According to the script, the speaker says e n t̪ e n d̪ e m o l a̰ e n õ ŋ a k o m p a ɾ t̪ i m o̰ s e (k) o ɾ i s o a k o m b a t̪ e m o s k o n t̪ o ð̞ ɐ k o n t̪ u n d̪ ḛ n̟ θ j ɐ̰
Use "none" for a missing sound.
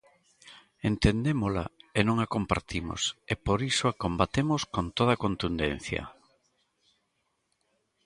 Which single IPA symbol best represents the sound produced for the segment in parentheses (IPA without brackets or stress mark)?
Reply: p